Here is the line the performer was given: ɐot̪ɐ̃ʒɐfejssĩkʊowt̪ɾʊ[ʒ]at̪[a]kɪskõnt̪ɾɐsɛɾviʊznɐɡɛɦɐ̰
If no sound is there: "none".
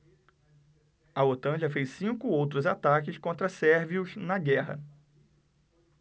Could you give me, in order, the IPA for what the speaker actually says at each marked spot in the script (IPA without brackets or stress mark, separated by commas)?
z, a